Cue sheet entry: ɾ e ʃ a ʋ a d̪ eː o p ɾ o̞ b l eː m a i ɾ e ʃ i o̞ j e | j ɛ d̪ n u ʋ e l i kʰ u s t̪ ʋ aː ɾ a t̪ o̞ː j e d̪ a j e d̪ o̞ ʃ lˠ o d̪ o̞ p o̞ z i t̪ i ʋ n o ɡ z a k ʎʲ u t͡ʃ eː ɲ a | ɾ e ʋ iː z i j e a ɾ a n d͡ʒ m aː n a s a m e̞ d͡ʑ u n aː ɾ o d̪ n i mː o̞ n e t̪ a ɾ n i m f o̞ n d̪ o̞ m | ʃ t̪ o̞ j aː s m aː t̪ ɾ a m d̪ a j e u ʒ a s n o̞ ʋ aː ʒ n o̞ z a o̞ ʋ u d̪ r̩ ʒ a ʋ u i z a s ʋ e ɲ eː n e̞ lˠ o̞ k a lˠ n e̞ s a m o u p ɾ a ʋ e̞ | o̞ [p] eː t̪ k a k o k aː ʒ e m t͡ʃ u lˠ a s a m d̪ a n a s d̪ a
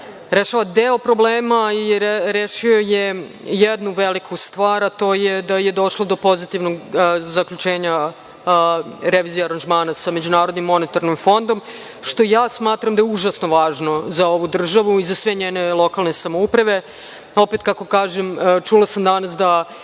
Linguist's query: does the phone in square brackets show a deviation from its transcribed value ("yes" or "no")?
no